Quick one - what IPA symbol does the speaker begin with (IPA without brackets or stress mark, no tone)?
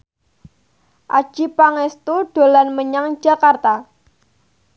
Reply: ʔ